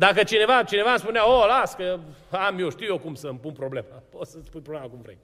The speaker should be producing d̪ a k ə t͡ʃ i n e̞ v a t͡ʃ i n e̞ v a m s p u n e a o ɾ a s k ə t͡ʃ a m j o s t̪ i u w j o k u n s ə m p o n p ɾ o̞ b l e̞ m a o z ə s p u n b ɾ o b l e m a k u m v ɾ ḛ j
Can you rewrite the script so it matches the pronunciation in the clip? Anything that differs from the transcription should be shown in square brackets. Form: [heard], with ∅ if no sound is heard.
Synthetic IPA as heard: d̪ a k ə t͡ʃ i n e̞ v a t͡ʃ i n e̞ v a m s p u n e a o [l] a s k ə [∅] a m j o [ʃ] t̪ i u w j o k u [m] s ə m p [u] n p ɾ o̞ b l e̞ m a o [s] ə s p u n [p] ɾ o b l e m a k u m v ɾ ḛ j